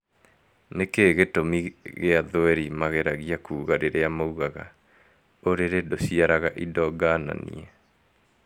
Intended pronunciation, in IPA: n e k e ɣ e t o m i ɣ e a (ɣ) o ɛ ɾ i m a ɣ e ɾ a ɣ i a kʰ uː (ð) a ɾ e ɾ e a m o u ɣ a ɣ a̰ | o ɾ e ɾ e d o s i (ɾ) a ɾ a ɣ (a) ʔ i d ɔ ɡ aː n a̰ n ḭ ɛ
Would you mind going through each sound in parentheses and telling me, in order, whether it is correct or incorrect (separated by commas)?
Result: incorrect, incorrect, incorrect, correct